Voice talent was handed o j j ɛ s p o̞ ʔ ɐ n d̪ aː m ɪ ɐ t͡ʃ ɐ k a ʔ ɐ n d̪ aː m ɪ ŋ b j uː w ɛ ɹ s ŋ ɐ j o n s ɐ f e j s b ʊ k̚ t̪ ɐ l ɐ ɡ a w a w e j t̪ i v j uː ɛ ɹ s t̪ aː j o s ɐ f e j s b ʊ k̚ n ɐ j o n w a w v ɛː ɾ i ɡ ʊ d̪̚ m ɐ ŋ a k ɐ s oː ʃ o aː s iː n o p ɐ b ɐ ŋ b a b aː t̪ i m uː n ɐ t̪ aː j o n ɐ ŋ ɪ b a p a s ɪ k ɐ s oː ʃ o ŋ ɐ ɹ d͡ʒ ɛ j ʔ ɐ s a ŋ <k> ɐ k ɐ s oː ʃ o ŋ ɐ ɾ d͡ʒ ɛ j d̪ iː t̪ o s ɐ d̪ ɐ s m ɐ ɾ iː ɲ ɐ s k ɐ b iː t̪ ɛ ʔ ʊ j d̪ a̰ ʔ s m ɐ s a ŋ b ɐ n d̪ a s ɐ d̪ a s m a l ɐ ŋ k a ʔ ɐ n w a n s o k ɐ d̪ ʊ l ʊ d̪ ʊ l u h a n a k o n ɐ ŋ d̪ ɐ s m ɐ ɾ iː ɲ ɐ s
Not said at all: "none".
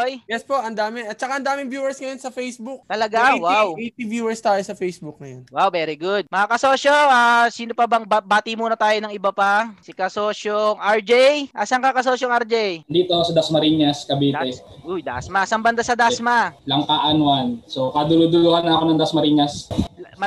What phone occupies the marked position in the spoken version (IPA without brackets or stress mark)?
k